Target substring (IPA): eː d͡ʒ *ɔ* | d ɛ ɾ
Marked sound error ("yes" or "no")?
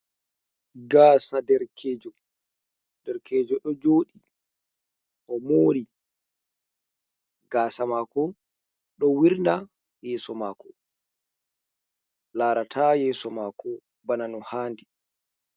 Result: no